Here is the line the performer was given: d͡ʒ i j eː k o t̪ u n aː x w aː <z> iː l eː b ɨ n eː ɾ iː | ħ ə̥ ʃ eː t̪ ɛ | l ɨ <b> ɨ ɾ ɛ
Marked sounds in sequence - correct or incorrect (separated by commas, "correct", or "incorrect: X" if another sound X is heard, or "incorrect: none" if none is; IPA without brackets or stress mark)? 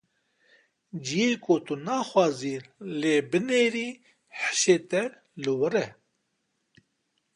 correct, incorrect: w